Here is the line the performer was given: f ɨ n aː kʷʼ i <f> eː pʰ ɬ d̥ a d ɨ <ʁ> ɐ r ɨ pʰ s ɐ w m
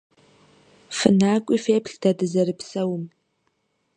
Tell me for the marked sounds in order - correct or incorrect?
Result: correct, incorrect

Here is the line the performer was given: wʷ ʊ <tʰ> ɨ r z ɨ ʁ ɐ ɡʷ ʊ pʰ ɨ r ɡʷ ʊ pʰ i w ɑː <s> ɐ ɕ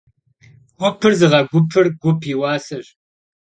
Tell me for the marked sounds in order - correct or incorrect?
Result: incorrect, correct

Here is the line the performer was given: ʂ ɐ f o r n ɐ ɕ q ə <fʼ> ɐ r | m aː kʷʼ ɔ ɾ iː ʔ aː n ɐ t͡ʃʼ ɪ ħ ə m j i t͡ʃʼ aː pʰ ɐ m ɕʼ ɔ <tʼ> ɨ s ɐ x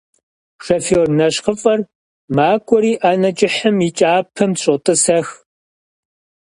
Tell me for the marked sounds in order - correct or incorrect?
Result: correct, correct

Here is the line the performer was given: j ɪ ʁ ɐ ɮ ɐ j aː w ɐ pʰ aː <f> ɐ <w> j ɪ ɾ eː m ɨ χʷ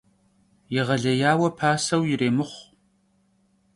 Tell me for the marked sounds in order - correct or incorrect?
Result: incorrect, correct

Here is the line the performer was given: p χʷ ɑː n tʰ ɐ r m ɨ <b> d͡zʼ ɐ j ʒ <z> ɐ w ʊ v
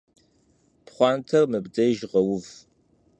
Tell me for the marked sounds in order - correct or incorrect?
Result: correct, incorrect

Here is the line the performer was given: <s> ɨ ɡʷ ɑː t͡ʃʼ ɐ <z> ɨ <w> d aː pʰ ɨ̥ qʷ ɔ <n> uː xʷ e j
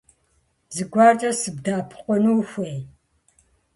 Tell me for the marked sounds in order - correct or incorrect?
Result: incorrect, incorrect, incorrect, correct

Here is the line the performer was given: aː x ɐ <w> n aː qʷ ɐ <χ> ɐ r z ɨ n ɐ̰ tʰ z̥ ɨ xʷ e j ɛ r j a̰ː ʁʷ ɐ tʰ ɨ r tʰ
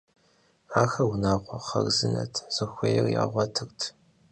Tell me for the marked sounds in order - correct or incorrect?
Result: correct, correct

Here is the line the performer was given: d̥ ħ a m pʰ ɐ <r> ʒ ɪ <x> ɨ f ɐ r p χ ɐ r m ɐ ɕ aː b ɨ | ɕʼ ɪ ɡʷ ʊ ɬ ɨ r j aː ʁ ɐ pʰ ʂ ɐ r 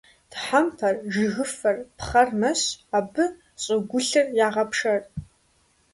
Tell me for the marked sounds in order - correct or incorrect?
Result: correct, incorrect

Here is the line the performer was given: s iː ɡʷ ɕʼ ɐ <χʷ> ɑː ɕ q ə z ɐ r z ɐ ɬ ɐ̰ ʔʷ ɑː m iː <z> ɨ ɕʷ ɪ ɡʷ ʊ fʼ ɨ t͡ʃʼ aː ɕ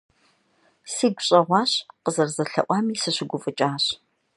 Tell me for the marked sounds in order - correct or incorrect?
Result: incorrect, incorrect

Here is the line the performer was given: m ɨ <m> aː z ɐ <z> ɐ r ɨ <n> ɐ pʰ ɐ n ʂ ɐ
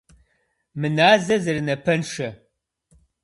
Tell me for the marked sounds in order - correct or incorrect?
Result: incorrect, correct, correct

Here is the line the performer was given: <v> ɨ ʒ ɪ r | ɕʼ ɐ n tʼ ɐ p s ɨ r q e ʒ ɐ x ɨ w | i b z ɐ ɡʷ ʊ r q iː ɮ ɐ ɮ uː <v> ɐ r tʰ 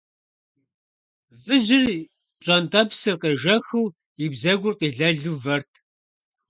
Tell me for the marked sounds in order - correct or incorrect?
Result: correct, correct

